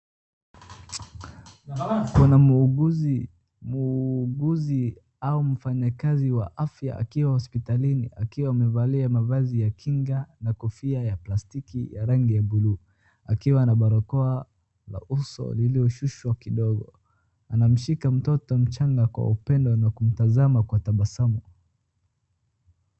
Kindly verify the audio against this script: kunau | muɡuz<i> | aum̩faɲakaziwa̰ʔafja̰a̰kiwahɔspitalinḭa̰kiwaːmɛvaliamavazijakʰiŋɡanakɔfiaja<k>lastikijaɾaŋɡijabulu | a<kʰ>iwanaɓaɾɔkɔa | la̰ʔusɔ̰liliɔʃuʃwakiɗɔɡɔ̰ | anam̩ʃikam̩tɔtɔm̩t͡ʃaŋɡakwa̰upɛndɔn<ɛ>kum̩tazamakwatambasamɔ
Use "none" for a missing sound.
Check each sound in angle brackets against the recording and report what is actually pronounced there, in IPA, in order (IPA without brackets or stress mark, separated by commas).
i, p, k, a